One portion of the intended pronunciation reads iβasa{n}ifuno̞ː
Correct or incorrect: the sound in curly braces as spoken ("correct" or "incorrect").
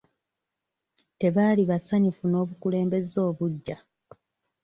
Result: incorrect